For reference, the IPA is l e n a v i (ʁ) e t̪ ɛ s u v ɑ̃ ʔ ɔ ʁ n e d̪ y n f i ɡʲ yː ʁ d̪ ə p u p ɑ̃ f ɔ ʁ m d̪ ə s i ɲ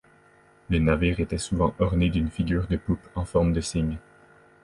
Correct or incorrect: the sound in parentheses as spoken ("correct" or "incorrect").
correct